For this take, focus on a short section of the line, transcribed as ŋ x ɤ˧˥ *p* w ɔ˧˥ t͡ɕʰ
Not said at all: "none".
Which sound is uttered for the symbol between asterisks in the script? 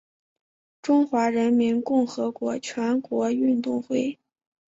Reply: k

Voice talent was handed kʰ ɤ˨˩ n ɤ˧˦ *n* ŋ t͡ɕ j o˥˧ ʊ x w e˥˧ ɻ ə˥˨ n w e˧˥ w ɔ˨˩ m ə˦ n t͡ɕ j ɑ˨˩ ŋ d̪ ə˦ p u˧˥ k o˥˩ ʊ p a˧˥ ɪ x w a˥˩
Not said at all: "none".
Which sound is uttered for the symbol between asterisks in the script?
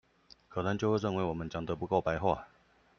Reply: none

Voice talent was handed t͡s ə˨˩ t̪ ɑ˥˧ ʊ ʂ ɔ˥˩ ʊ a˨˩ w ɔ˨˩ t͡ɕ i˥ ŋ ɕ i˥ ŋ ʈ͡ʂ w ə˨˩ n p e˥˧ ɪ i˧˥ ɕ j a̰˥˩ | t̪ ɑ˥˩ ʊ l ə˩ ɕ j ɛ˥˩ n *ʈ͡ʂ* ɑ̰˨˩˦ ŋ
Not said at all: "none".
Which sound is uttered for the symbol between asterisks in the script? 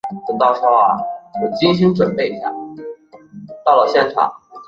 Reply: ʈ͡ʂʰ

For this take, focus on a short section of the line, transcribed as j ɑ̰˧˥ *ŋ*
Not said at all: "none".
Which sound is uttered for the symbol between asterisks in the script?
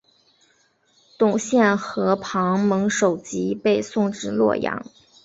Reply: ŋ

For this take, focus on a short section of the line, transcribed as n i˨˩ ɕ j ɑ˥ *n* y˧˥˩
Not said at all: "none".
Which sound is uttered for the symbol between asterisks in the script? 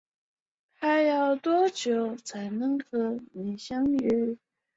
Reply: ŋ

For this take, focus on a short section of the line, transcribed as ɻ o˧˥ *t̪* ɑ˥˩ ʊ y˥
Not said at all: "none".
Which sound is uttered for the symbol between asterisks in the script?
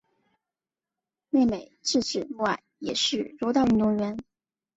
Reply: t̪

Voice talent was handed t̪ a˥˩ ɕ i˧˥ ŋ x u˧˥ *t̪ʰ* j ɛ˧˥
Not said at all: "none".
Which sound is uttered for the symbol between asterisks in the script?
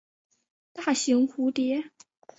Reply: t̪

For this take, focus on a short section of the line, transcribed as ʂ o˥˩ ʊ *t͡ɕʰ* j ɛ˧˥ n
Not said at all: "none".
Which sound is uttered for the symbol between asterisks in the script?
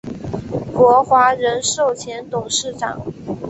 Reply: t͡ɕʰ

